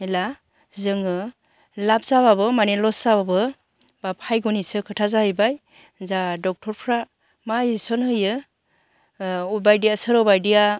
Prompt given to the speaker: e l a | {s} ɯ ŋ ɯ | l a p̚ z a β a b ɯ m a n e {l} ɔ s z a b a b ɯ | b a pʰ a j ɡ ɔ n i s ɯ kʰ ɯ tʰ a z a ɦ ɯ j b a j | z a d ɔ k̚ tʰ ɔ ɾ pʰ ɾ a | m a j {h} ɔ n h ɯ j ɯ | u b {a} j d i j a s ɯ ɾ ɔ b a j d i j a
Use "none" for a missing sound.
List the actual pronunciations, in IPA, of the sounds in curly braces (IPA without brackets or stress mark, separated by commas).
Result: z, l, s, a